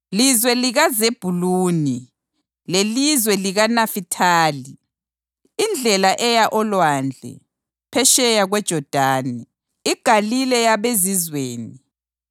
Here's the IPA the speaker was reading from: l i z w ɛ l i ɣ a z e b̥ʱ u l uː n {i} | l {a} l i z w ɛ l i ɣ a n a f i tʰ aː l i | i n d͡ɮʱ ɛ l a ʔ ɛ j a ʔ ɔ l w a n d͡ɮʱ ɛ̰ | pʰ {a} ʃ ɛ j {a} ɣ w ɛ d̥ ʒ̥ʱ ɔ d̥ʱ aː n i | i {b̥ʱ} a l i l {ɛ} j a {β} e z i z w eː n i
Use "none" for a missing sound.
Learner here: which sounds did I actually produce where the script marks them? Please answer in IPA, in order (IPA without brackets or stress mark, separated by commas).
i, e, ɛ, a, ɡ̥ʱ, ɛ, β